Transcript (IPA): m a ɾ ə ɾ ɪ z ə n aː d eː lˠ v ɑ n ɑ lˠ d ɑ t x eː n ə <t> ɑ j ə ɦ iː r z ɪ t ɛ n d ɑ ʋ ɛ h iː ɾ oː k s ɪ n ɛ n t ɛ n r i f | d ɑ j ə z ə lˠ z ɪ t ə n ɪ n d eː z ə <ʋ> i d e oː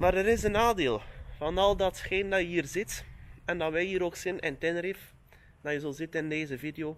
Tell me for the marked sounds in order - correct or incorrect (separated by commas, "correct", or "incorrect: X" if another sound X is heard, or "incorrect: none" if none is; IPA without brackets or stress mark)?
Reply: incorrect: d, incorrect: v